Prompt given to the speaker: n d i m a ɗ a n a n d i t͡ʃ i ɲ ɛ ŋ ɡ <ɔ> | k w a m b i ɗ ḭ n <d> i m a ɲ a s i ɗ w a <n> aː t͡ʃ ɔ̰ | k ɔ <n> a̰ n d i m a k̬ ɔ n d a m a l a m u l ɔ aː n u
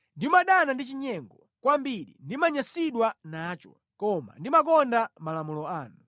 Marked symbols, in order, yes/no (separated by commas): yes, yes, yes, no